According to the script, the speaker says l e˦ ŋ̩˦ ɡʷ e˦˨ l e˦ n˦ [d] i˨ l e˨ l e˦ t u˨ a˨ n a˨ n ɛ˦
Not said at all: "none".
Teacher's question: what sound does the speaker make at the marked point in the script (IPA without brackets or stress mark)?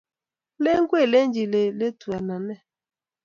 d͡ʒ